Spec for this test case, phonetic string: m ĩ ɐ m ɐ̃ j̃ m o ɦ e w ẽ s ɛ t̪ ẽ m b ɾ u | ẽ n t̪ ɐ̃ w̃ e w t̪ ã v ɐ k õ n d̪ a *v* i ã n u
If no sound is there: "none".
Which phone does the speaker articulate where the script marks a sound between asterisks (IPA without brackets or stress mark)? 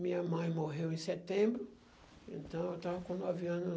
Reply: v